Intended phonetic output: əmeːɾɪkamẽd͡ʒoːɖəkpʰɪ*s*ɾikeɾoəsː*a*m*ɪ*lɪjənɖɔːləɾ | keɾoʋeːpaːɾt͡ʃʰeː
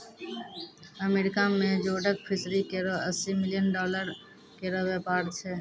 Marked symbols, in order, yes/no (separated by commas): yes, no, yes